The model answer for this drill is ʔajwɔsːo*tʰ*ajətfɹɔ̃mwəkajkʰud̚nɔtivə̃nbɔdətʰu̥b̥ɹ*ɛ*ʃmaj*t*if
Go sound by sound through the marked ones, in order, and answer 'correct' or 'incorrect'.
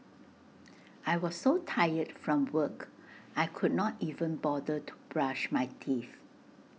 correct, incorrect: a, incorrect: tʰ

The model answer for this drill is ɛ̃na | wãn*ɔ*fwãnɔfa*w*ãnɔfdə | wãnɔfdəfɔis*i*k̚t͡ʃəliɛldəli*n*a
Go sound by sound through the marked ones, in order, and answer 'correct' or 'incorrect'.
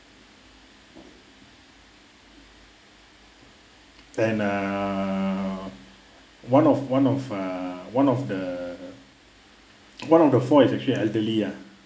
correct, correct, incorrect: ɛ, incorrect: none

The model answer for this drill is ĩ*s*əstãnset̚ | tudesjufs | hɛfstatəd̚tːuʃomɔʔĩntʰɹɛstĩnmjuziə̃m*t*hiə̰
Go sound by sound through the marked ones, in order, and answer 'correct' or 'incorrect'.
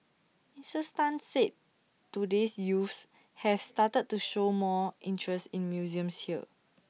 correct, incorrect: s

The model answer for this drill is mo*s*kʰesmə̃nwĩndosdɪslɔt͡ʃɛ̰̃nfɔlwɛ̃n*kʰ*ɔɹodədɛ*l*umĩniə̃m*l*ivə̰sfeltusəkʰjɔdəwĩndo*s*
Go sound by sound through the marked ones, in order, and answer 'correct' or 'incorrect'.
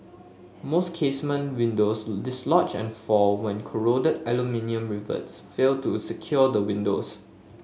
correct, correct, correct, incorrect: ɹ, correct

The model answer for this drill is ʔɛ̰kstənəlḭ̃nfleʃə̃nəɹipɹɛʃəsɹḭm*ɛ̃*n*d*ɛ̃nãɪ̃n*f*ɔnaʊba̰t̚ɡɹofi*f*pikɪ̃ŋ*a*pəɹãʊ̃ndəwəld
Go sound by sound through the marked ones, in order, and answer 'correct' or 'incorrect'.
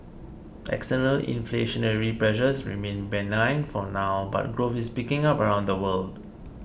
incorrect: ẽ, incorrect: b, correct, incorrect: s, correct

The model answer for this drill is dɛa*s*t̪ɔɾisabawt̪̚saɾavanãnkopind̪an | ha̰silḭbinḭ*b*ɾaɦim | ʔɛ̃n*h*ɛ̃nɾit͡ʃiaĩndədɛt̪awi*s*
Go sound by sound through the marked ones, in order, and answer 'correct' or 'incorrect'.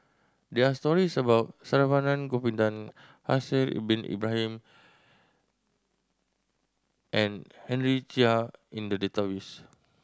correct, correct, correct, correct

